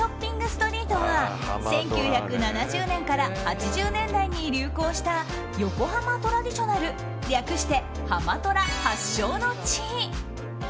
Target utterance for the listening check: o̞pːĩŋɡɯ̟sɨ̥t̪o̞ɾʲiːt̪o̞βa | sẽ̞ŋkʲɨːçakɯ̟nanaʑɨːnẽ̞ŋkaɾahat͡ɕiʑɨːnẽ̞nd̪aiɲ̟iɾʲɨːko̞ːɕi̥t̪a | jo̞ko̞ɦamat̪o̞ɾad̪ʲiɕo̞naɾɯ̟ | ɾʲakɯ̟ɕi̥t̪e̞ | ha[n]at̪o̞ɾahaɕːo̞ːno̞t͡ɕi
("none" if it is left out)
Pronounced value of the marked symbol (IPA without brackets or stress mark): m